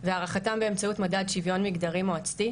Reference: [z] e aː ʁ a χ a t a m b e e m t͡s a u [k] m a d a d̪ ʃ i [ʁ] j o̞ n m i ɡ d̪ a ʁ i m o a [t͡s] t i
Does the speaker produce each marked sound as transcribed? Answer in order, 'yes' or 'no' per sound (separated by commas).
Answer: no, no, no, yes